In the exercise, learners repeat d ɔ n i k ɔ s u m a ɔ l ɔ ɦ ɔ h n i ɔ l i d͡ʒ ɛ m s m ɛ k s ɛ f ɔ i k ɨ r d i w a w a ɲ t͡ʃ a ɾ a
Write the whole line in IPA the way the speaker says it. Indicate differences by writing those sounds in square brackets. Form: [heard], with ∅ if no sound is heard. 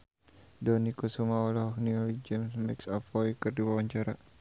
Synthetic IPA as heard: d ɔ n i k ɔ s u m a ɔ l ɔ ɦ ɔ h n i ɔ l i d͡ʒ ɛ m s m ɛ k s [a] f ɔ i k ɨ r d i w a w a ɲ t͡ʃ a ɾ a